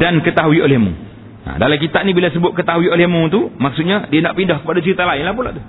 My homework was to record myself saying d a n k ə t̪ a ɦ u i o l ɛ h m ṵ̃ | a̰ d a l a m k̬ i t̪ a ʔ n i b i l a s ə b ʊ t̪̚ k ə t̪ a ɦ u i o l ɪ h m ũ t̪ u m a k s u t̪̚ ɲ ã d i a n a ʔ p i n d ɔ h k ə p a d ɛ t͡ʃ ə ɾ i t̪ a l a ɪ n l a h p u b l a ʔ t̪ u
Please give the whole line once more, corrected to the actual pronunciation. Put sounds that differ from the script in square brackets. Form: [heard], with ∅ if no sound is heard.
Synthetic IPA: d a n k ə t̪ a ɦ u i o l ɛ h m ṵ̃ | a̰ d a l a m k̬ i t̪ a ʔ n i b i l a s ə b ʊ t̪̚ k ə t̪ a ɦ u i o l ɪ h m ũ t̪ u m a k s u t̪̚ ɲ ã d i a n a ʔ p i n d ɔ h k ə p a d [a] t͡ʃ ə ɾ i t̪ a l a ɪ n l a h p u [∅] l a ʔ t̪ u